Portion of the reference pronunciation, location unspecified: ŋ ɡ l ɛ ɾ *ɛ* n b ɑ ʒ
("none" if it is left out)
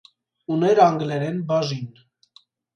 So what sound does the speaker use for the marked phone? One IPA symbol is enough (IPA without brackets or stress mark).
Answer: ɛ